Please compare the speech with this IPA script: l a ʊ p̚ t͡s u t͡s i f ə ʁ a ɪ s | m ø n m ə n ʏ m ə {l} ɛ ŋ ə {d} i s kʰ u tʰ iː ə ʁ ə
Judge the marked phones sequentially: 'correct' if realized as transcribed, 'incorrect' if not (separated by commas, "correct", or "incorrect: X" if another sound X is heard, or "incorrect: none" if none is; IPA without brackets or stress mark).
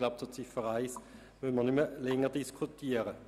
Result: correct, correct